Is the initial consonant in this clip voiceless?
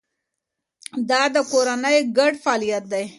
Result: no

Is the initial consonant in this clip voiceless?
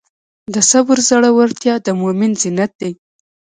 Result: no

